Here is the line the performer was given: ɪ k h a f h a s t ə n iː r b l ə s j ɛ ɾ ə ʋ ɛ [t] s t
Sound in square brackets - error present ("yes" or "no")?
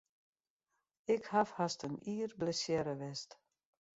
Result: yes